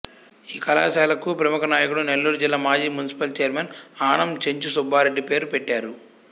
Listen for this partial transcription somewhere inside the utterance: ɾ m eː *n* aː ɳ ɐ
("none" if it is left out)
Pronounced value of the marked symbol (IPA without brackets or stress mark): n